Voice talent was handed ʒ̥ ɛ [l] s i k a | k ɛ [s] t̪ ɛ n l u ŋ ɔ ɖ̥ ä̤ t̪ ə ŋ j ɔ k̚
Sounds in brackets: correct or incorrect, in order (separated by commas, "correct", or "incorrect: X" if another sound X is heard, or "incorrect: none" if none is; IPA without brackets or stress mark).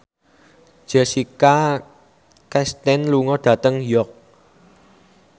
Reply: incorrect: none, correct